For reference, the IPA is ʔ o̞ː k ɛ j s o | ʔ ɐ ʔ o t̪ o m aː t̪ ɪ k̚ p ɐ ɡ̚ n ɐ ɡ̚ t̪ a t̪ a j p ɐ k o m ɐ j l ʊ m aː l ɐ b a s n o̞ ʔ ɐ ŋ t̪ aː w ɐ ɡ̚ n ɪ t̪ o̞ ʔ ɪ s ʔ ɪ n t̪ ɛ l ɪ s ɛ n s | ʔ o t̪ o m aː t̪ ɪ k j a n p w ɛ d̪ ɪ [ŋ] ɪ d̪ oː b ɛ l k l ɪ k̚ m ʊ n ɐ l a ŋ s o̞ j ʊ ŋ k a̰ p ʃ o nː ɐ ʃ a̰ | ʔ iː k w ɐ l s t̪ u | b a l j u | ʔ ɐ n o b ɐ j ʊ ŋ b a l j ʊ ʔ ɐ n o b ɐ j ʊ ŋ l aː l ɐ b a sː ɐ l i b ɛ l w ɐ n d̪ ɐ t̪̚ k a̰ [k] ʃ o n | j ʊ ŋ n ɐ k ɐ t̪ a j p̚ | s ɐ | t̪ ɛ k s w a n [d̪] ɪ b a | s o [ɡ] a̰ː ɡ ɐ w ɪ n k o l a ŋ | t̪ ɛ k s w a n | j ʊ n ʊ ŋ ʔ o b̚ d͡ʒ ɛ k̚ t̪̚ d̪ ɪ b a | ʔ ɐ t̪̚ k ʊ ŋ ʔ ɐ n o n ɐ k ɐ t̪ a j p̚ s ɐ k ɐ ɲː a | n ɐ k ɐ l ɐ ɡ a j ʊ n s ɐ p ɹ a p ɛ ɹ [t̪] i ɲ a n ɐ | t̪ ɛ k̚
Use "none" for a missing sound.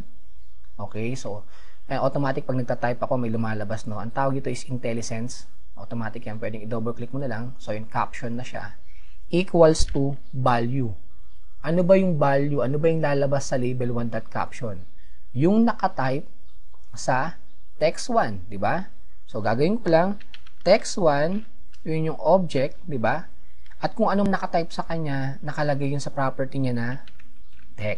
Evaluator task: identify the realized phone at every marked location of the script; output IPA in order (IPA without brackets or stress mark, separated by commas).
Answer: ŋ, p, d̪, ɡ, t̪